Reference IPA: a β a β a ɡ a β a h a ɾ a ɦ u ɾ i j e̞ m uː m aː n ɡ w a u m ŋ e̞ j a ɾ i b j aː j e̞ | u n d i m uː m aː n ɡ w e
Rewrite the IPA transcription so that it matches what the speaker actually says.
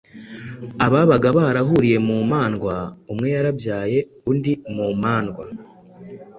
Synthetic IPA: a β a β a ɡ a β a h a ɾ a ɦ u ɾ i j e̞ m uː m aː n ɡ w a u m ŋ e̞ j a ɾ a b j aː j e̞ | u n d i m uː m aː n ɡ w a